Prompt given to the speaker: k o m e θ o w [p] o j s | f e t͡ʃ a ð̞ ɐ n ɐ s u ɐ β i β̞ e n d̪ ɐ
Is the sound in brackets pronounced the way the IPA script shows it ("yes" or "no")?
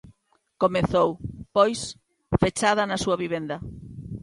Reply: yes